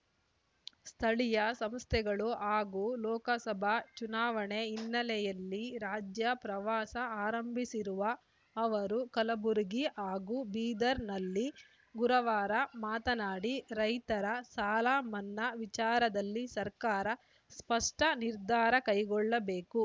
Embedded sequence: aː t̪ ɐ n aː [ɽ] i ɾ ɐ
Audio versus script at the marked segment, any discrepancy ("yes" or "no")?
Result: no